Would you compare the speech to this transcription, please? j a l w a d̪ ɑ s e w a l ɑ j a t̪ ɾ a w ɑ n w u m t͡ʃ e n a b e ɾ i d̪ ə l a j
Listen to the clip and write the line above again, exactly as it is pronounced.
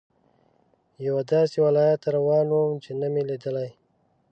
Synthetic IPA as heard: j a w a d̪ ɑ s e w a l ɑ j a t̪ ɾ a w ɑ n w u m t͡ʃ e n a m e l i d̪ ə l a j